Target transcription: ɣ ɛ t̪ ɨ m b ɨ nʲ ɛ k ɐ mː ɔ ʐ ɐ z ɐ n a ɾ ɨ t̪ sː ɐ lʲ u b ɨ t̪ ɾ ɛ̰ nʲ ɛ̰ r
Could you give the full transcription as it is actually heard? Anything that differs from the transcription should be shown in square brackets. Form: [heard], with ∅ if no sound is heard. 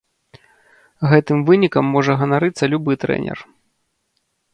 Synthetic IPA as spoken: ɣ ɛ t̪ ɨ m [v] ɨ nʲ [i] k ɐ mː ɔ ʐ ɐ [ɣ] ɐ n a ɾ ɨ t̪ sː ɐ lʲ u b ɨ t̪ ɾ ɛ̰ nʲ ɛ̰ r

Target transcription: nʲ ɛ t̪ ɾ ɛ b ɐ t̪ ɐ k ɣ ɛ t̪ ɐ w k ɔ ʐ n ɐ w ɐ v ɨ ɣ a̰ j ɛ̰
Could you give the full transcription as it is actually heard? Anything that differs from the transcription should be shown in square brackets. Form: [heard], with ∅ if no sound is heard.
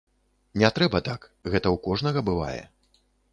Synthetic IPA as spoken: nʲ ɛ t̪ ɾ ɛ b ɐ t̪ [a] k ɣ ɛ t̪ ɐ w k ɔ ʐ n ɐ [ɣ] ɐ [b] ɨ [v] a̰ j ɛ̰

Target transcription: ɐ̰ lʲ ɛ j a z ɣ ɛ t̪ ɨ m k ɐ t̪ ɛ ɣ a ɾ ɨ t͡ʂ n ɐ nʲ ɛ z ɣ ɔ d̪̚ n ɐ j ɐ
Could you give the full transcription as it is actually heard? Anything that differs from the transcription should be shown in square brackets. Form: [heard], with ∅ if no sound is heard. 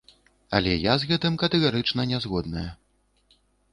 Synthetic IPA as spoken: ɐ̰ lʲ ɛ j a z ɣ ɛ t̪ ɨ m k ɐ t̪ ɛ ɣ a ɾ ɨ t͡ʂ n ɐ nʲ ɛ z ɣ ɔ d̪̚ n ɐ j ɐ

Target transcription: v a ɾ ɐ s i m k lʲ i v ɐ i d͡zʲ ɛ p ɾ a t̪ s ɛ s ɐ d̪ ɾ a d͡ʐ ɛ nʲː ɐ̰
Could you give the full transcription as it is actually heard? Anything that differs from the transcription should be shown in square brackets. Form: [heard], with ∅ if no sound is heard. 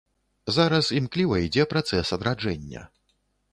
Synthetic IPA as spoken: [z] a ɾ ɐ s i m k lʲ i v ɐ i d͡zʲ ɛ p ɾ a t̪ s ɛ s ɐ d̪ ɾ a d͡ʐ ɛ nʲː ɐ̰

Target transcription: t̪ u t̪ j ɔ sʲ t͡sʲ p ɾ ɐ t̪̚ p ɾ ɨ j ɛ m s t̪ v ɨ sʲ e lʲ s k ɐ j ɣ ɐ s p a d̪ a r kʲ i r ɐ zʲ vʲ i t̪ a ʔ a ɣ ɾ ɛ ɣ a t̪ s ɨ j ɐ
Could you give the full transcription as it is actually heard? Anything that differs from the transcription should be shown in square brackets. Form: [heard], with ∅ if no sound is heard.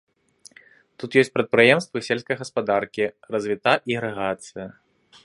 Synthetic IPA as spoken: t̪ u t̪ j ɔ sʲ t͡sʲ p ɾ ɐ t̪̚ p ɾ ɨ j ɛ m s t̪ v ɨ sʲ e lʲ s k ɐ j ɣ ɐ s p a d̪ a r kʲ i r ɐ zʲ vʲ i t̪ a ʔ [i] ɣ ɾ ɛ ɣ a t̪ s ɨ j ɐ

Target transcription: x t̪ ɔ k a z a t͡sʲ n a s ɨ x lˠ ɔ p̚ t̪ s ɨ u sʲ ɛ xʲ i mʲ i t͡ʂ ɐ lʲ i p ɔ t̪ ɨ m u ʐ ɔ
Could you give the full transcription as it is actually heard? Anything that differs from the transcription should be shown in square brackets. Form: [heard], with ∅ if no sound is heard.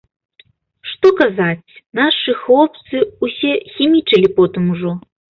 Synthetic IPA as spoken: [ʂ] t̪ ɔ k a z a t͡sʲ n a [ʂ] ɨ x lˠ ɔ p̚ t̪ s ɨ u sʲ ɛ xʲ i mʲ i t͡ʂ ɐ lʲ i p ɔ t̪ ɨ m u ʐ ɔ

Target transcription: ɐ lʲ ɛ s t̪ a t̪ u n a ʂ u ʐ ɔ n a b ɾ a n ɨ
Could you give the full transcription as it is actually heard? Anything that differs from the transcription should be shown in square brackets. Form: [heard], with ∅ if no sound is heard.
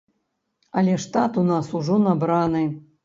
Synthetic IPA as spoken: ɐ lʲ ɛ [ʂ] t̪ a t̪ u n a [s] u ʐ ɔ n a b ɾ a n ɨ

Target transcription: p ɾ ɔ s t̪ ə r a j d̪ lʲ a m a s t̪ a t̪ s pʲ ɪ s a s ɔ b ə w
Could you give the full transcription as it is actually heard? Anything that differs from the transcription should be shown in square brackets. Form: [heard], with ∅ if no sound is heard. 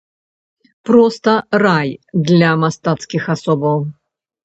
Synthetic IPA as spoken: p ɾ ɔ s t̪ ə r a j d̪ lʲ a m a s t̪ a t̪ s [kʲ] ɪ [x] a s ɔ b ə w

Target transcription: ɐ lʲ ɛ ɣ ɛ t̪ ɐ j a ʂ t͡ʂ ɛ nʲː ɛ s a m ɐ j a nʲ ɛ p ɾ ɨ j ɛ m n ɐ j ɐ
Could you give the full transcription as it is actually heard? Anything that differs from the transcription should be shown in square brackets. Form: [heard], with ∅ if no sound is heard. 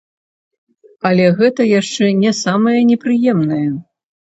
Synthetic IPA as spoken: ɐ lʲ ɛ ɣ ɛ t̪ ɐ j a ʂ t͡ʂ ɛ [nʲ] ɛ s a m ɐ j [ɐ] nʲ ɛ p ɾ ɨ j ɛ m n ɐ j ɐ

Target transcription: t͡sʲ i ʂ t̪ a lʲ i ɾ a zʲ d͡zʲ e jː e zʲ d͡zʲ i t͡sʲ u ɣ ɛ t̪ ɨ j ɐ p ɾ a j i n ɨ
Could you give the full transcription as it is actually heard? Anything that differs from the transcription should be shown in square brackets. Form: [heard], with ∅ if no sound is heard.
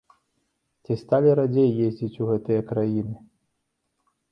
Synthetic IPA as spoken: t͡sʲ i [s] t̪ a lʲ i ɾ a [∅] d͡zʲ e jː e zʲ d͡zʲ i t͡sʲ u ɣ ɛ t̪ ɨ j ɐ [k] ɾ a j i n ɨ

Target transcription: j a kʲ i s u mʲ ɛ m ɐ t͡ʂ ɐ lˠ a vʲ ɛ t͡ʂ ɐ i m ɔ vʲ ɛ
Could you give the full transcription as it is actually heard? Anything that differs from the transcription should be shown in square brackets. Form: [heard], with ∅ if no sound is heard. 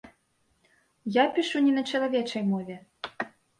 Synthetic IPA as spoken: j a [pʲ] i [ʂ] u [nʲ] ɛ [n] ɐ t͡ʂ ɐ lˠ a vʲ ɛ t͡ʂ ɐ [j] m ɔ vʲ ɛ

